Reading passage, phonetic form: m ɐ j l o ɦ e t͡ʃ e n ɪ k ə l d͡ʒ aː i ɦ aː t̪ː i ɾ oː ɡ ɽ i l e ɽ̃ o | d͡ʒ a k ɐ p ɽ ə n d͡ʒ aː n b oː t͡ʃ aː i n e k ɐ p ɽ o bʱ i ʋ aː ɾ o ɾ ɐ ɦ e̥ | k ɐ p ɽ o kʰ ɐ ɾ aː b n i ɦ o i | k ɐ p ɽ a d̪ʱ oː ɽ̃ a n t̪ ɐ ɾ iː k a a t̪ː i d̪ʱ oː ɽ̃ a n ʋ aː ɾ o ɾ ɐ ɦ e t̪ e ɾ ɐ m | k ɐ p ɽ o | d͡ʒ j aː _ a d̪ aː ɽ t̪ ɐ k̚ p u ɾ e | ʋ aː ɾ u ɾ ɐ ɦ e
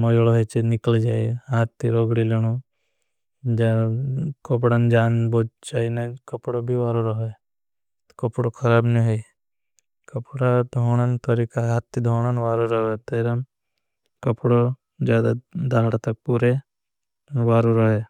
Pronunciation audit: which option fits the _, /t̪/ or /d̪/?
d̪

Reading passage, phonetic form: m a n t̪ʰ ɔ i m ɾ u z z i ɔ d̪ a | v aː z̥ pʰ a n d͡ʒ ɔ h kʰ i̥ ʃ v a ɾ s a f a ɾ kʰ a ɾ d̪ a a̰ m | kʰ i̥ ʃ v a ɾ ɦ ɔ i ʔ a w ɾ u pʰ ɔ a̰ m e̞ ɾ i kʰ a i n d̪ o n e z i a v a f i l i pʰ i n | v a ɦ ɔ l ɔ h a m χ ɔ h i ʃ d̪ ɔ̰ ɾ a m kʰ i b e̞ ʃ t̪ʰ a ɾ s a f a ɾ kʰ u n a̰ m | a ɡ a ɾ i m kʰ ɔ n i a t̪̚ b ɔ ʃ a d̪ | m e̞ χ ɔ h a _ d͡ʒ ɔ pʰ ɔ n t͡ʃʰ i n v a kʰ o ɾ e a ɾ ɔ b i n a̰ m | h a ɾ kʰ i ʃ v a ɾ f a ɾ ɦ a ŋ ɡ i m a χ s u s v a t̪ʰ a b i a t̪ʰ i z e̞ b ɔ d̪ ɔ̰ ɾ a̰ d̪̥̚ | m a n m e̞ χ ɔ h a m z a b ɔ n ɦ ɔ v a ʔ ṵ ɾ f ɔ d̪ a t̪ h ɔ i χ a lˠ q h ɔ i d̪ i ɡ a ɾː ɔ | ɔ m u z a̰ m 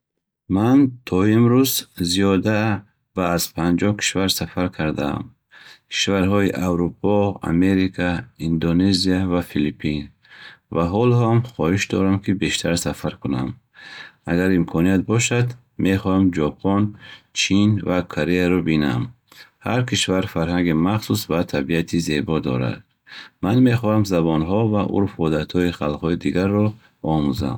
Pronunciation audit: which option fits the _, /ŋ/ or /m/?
m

